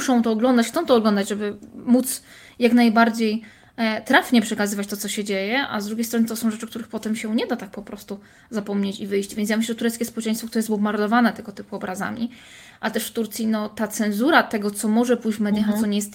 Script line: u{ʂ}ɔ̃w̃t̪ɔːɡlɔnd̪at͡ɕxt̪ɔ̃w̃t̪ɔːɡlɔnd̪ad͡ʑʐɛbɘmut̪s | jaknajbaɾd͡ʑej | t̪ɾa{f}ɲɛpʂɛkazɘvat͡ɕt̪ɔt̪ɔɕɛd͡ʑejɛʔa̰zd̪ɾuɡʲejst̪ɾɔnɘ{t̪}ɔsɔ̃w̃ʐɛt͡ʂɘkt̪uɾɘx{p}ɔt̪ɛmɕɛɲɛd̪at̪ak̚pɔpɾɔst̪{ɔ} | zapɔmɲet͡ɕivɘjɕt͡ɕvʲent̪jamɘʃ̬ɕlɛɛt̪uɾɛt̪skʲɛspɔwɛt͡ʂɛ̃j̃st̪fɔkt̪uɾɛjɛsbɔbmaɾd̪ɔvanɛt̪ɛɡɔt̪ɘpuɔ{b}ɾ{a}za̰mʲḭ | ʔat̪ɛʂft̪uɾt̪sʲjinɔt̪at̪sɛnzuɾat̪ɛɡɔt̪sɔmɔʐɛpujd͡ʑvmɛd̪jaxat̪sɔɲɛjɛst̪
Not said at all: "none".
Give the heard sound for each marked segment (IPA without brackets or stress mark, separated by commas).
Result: ʂ, f, t̪, p, u, b, a